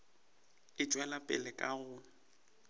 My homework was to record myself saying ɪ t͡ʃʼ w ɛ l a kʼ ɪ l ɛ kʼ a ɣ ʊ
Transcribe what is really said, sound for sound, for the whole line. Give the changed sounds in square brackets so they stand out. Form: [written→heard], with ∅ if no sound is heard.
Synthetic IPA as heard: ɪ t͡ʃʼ w ɛ l a [kʼ→pʼ] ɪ l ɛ kʼ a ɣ ʊ